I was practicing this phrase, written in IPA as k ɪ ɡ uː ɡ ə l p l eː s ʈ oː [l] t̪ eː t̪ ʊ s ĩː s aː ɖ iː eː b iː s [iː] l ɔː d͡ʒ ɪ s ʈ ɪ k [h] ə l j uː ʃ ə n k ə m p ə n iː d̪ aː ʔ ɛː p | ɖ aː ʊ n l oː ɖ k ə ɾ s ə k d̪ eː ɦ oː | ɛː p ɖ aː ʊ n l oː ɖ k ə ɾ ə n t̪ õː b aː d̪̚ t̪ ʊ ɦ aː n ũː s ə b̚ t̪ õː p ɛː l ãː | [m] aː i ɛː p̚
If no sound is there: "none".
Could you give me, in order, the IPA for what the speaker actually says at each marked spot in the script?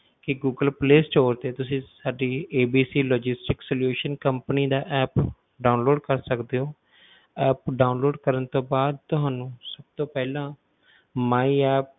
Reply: ɾ, iː, s, m

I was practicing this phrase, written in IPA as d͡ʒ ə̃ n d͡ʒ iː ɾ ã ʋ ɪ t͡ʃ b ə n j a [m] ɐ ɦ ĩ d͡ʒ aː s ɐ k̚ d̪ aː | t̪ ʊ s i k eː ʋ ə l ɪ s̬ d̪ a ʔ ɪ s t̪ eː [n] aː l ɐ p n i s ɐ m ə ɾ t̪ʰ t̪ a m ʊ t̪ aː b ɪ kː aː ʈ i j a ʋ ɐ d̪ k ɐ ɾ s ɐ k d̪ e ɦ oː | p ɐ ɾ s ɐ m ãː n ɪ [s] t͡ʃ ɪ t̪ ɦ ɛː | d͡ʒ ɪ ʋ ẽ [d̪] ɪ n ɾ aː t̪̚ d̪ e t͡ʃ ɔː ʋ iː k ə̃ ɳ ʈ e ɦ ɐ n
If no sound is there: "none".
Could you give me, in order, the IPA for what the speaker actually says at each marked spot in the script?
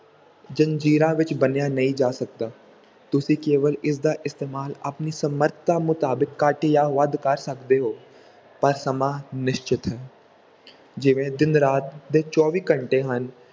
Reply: n, m, ʃ, d̪

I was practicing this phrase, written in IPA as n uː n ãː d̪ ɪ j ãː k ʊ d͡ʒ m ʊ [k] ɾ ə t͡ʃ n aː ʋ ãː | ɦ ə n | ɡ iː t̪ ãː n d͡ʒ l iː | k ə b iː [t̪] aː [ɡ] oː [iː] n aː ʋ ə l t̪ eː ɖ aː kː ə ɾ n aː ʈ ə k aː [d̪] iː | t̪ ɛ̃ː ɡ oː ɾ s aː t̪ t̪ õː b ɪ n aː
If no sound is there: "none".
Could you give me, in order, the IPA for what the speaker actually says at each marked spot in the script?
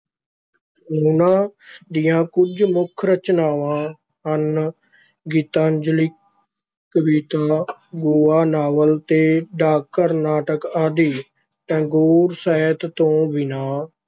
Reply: kʰ, t̪, ɡ, aː, d̪

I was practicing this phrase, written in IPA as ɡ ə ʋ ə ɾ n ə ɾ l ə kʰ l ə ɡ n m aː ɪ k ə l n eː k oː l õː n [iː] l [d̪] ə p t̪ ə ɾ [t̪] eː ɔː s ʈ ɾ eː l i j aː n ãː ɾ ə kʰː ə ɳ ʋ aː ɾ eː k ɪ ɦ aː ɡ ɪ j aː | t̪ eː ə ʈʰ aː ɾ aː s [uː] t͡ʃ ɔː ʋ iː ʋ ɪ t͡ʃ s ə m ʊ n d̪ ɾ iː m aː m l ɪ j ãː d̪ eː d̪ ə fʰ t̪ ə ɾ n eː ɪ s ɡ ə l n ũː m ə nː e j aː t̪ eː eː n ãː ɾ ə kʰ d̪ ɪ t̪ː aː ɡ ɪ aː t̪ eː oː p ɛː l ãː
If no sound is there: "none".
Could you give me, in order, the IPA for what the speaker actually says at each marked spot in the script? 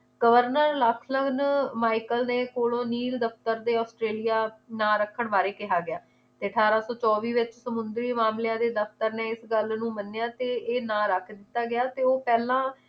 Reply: iː, d̪, d̪, ɔː

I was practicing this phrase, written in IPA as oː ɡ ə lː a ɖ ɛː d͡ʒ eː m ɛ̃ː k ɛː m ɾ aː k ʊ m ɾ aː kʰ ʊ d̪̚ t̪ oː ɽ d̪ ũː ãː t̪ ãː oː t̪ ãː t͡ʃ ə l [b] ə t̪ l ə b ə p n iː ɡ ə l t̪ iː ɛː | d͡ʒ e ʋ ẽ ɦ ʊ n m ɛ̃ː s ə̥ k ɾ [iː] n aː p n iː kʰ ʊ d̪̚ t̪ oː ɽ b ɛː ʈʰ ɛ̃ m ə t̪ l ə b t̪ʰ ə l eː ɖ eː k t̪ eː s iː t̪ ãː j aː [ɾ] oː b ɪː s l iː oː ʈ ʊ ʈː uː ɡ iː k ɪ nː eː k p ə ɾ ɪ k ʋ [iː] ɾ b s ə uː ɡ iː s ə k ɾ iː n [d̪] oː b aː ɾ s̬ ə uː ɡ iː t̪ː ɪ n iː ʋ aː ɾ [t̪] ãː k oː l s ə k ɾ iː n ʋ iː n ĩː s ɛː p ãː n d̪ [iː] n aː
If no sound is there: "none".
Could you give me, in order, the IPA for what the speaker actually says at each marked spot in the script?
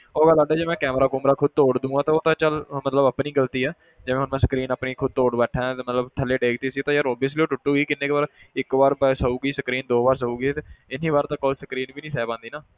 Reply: m, iː, ɾ, aː, d̪, t̪, iː

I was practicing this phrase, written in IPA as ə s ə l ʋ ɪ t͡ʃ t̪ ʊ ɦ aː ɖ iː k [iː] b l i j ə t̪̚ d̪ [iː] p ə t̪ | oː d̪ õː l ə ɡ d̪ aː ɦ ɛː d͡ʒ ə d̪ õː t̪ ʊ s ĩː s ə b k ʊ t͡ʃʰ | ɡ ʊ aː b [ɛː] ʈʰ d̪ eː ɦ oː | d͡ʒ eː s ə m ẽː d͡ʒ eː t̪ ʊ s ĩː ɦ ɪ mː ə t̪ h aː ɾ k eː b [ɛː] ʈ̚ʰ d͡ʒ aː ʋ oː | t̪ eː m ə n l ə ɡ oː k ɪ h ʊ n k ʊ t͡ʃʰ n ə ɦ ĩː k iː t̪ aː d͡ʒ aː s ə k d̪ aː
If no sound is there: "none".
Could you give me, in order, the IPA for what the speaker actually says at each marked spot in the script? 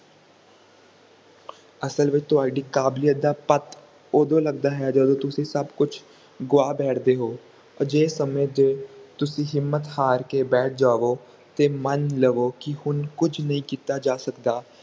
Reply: aː, aː, ɛː, ɛː

